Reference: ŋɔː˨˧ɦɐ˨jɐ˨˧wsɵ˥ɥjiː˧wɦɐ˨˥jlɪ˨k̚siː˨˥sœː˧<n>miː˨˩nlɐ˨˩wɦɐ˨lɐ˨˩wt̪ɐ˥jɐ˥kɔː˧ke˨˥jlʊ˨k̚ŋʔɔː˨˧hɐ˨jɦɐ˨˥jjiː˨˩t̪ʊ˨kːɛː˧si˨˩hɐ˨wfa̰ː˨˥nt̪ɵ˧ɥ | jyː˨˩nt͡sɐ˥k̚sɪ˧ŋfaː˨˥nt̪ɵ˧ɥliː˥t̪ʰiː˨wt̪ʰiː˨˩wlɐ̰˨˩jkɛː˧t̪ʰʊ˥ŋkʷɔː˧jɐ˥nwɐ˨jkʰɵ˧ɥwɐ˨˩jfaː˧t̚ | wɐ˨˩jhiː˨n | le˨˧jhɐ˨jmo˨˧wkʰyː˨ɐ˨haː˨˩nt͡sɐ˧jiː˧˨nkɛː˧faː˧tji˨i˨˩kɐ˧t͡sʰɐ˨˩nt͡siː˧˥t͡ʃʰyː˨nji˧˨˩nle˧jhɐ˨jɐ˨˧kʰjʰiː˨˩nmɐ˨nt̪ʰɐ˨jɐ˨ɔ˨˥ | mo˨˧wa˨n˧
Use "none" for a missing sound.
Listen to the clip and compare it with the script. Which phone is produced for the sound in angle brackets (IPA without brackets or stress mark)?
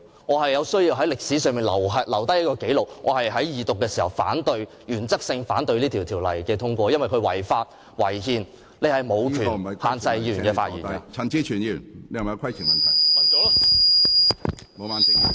ŋ